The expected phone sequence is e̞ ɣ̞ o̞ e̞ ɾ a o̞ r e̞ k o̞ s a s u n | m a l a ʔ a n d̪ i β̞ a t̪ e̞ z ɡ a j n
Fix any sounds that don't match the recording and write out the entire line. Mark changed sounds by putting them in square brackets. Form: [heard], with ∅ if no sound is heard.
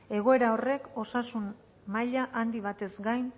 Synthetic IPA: e̞ ɣ̞ o̞ e̞ ɾ a o̞ r e̞ k o̞ s a s u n | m a [ʎ] a ʔ a n d̪ i β̞ a t̪ e̞ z ɡ a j n